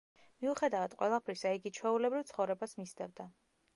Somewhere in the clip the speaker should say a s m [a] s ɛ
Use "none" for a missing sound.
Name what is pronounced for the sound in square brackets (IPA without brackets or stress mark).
i